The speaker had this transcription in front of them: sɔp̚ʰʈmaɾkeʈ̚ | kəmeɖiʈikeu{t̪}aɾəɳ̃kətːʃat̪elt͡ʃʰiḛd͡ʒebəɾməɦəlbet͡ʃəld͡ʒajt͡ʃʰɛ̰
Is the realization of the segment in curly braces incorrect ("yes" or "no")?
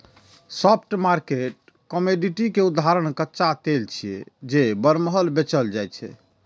yes